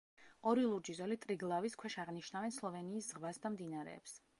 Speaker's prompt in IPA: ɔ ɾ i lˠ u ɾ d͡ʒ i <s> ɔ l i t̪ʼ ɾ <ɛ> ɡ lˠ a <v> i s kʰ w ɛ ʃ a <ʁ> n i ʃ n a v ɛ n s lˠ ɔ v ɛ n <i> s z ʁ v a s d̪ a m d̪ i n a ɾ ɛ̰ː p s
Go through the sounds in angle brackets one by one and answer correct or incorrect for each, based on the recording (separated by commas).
incorrect, incorrect, correct, correct, incorrect